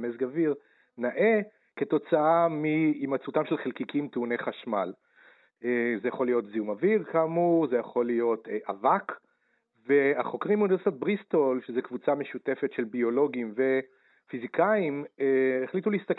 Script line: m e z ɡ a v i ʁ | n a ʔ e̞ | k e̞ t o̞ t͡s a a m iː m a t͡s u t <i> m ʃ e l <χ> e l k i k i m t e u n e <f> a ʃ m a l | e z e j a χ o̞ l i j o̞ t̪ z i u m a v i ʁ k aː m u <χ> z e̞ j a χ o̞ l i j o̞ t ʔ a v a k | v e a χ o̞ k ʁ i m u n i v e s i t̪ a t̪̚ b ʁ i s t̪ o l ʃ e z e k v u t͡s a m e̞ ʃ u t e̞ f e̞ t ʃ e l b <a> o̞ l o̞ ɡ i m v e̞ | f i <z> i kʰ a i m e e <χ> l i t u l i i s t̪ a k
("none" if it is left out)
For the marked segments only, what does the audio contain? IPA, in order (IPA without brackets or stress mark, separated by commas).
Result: a, χ, χ, ʁ, i, z, χ